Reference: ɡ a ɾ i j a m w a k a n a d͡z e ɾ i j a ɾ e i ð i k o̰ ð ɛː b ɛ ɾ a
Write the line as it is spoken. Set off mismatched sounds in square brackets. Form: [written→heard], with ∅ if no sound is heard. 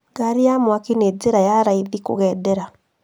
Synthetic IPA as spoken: ɡ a ɾ i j a m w a k [a→i] n [a→e] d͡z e ɾ [i→a] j a ɾ [e→a] i ð i k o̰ [ð→ɣ] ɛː [b→d] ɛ ɾ a